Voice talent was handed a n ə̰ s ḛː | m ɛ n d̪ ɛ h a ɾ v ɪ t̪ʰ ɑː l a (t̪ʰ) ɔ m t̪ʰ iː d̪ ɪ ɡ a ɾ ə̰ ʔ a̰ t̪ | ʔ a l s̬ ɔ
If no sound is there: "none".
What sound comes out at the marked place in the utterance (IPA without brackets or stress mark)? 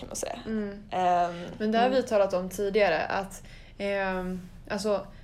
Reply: t̪